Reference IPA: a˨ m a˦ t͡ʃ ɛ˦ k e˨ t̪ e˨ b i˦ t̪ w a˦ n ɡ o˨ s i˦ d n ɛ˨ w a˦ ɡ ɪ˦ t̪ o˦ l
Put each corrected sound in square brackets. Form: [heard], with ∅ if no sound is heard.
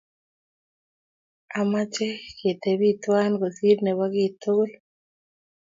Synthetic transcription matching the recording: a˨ m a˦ t͡ʃ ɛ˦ k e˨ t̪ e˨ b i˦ t̪ w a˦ n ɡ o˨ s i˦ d n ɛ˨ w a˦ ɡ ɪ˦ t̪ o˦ l